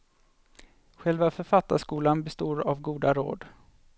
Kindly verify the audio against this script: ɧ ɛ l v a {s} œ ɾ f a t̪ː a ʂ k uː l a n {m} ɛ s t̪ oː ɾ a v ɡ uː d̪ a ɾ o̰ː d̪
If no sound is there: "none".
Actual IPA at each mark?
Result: f, b

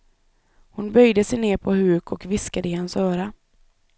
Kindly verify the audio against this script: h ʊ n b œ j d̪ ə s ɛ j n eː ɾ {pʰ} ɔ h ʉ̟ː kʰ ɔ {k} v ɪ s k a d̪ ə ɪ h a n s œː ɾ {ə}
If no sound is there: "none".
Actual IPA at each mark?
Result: pʰ, k, a

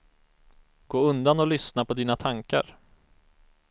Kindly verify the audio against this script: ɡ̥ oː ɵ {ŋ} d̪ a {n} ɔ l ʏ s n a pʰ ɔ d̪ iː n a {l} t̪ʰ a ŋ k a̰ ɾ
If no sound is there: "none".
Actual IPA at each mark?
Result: n, n, none

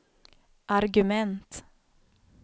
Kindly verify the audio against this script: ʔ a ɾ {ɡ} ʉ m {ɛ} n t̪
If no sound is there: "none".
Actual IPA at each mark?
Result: ɡ, ɛ

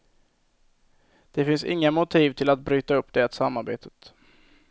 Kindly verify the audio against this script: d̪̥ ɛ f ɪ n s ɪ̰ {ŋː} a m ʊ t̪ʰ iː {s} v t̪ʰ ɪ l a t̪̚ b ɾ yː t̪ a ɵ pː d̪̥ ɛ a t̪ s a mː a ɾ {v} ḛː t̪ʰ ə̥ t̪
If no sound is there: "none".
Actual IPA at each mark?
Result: ŋː, none, b

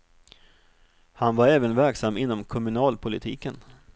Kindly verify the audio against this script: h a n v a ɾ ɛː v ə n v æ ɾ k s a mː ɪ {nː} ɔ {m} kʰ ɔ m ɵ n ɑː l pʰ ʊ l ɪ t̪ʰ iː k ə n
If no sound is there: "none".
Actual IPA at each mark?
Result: nː, m

